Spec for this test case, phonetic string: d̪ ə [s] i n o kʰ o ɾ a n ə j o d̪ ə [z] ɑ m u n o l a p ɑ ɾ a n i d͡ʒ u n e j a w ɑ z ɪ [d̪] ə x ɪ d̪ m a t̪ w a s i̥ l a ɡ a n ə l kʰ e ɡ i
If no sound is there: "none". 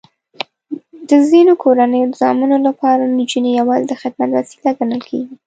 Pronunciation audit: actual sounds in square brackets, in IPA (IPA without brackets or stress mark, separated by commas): z, z, d̪